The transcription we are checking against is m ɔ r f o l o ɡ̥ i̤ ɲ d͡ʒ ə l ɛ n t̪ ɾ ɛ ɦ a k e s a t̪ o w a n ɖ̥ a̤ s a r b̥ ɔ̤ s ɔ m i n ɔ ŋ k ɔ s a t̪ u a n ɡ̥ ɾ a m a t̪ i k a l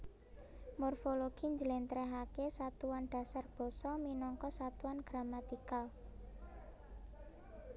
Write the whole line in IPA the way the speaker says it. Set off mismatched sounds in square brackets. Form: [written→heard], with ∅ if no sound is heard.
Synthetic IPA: m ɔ r f o l o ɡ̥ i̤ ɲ d͡ʒ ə l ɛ n t̪ ɾ ɛ ɦ a k e s a t̪ [o→u] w a n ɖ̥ a̤ s a r b̥ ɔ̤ s ɔ m i n ɔ ŋ k ɔ s a t̪ u a n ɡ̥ ɾ a m a t̪ i k a l